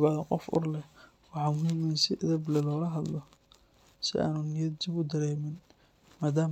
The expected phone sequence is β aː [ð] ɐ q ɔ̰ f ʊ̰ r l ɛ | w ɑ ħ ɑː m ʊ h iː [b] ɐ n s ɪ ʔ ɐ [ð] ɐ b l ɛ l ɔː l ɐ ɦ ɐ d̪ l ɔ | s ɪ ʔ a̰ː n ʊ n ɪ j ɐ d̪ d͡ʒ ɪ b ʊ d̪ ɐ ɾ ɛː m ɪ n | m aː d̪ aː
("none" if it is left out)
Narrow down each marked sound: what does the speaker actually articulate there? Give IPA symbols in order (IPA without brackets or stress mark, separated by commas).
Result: ð, m, ð